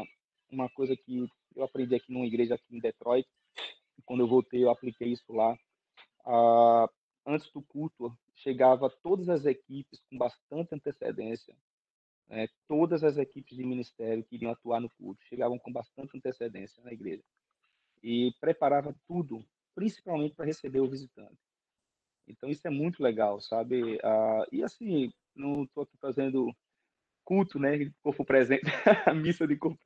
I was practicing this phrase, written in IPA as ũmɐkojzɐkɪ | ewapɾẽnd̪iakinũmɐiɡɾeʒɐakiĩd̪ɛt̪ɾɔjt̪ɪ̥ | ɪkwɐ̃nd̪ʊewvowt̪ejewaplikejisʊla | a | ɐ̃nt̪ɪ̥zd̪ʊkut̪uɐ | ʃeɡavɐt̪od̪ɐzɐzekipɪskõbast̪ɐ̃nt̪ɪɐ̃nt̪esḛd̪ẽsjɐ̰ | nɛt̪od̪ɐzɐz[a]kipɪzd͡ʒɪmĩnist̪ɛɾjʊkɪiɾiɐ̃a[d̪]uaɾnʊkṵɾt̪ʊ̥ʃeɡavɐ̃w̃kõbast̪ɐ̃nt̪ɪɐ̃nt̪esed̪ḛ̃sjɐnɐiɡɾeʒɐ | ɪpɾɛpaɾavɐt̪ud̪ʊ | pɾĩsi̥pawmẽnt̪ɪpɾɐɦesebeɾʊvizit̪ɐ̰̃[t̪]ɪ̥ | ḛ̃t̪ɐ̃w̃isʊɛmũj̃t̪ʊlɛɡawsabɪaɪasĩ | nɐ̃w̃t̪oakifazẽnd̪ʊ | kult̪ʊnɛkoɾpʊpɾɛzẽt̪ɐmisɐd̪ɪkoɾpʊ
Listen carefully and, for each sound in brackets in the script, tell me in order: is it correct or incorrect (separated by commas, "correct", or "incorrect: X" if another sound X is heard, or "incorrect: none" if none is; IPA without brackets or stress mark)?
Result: incorrect: e, incorrect: t̪, correct